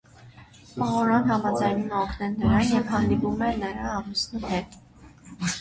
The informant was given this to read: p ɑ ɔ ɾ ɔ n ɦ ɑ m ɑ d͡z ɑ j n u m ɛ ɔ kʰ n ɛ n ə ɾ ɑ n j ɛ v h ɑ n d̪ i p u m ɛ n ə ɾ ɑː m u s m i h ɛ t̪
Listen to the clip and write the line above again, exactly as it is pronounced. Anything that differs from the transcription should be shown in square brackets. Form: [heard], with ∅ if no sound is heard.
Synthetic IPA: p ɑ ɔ ɾ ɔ n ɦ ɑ m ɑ d͡z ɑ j n u m ɛ ɔ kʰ n ɛ n ə ɾ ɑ n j ɛ v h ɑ n d̪ i p u m ɛ n ə ɾ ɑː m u s [n] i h ɛ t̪